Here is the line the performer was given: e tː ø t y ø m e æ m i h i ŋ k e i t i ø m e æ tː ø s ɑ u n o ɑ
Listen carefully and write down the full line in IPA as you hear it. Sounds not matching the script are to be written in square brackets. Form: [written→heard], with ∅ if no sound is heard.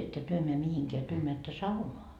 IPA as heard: e tː ø t y ø m e æ m i h i ŋ k e [i→æ] t [i→y] ø m e æ tː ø s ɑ u n o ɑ